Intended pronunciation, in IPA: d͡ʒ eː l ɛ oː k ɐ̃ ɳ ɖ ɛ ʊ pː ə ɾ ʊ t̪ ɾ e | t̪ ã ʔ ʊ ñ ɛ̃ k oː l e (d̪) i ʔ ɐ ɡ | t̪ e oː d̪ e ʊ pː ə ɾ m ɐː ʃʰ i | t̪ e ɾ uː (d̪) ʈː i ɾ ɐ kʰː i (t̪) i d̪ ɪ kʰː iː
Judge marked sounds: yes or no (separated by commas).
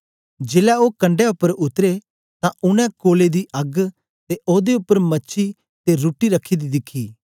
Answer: yes, no, no